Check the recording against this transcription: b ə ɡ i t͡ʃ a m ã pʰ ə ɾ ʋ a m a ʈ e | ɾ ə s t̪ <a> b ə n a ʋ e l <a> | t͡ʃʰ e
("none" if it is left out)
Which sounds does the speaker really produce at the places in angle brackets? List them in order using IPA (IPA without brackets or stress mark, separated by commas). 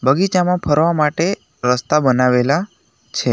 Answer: a, a